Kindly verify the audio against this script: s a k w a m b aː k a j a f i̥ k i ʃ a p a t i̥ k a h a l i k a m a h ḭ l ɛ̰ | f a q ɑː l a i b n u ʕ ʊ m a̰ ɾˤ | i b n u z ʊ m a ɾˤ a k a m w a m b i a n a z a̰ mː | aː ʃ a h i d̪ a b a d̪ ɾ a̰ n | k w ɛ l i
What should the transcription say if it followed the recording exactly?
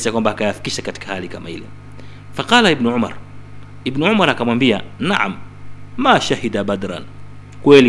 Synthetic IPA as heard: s a k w a m b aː k a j a f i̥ k i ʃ a k a t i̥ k a h a l i k a m a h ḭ l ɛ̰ | f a q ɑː l a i b n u ʕ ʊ m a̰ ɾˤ | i b n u ʕ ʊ m a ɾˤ a k a m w a m b i a n a ʕ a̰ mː | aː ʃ a h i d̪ a b a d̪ ɾ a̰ n | k w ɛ l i